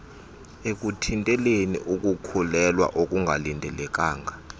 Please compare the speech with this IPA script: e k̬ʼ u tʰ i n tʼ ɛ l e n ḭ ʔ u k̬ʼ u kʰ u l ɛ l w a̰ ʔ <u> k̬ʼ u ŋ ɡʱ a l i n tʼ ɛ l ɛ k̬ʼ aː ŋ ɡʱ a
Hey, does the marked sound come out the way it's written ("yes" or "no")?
no